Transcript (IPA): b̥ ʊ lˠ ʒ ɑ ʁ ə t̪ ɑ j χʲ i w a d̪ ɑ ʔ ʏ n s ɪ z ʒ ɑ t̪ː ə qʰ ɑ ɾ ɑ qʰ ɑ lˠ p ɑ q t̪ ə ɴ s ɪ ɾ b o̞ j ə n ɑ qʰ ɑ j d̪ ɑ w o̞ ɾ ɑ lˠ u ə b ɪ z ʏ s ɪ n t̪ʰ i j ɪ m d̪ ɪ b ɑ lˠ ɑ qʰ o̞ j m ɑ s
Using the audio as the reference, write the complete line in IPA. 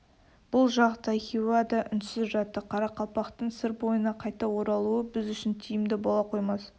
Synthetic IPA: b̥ ʊ lˠ ʒ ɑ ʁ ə t̪ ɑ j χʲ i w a d̪ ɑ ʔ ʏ n s ɪ z ʒ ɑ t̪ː ə qʰ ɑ ɾ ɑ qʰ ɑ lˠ p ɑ q t̪ ə ɴ s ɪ ɾ b o̞ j ə n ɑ qʰ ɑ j t̪ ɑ w o̞ ɾ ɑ lˠ u ə b ɪ z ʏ ʃ ɪ n t̪ʰ i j ɪ m d̪ ɪ b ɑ lˠ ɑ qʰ o̞ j m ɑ s